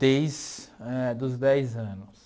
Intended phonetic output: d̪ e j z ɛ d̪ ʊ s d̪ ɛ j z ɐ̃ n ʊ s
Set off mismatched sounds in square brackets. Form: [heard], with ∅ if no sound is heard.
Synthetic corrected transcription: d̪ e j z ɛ d̪ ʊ [z] d̪ ɛ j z ɐ̃ n ʊ s

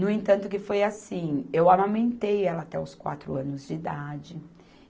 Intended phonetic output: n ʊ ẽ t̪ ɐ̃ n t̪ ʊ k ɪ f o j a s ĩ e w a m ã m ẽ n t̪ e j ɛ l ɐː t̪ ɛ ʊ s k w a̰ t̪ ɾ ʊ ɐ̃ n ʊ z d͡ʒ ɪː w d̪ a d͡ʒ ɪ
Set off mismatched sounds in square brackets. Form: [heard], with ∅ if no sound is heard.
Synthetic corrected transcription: n ʊ ẽ t̪ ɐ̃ n t̪ ʊ k ɪ f o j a s ĩ e w a m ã m ẽ n t̪ e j ɛ l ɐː t̪ ɛ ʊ s k w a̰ t̪ ɾ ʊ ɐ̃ n ʊ z d͡ʒ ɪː [∅] d̪ a d͡ʒ ɪ

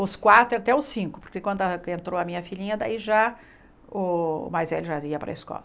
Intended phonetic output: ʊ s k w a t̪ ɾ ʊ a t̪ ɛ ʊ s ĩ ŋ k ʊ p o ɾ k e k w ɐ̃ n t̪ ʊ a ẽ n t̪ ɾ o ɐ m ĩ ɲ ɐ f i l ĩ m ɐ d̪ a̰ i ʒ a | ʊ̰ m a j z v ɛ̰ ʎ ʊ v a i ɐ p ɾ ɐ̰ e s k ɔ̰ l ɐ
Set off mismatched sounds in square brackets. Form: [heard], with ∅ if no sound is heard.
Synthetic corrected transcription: ʊ s k w a t̪ ɾ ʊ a t̪ ɛ ʊ s ĩ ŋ k ʊ p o ɾ k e k w ɐ̃ n [d̪] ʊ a ẽ n t̪ ɾ o ɐ m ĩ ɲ ɐ f i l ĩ [ɲ] ɐ d̪ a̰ i ʒ a | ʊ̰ m a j z v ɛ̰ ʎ ʊ [ʒ] a i ɐ p ɾ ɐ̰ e s k ɔ̰ l ɐ

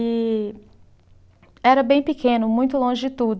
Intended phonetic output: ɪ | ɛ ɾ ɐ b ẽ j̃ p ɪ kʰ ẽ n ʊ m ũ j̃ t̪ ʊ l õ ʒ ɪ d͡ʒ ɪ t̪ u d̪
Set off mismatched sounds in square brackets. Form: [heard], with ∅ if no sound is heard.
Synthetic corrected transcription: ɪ | ɛ ɾ ɐ b ẽ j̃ p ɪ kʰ ẽ n ʊ m ũ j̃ t̪ ʊ l õ ʒ ɪ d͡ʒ ɪ t̪ u d̪

